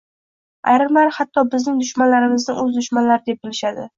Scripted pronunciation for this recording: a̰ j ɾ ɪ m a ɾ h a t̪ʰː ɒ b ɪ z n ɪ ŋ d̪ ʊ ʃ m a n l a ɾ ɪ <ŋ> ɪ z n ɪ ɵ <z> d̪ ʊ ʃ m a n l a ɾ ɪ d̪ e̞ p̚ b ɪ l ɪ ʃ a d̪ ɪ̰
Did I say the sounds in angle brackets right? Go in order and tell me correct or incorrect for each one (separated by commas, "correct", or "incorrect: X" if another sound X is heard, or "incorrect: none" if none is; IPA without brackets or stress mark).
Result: incorrect: m, correct